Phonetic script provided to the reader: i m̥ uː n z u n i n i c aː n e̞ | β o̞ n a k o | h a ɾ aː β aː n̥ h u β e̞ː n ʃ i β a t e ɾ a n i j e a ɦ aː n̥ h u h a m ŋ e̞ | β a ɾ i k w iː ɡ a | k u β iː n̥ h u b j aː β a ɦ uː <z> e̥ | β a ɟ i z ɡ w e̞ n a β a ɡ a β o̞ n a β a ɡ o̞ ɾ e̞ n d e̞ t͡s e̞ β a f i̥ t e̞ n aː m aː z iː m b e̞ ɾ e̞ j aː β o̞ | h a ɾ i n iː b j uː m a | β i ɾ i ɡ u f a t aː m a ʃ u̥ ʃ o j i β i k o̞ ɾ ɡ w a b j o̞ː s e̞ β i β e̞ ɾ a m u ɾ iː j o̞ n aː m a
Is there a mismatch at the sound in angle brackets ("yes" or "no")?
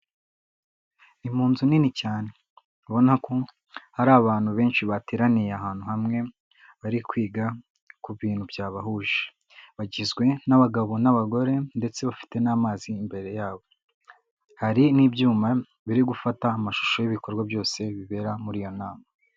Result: yes